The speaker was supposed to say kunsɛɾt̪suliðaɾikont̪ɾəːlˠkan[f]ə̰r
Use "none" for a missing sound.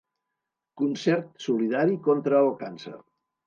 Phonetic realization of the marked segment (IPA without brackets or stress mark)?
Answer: s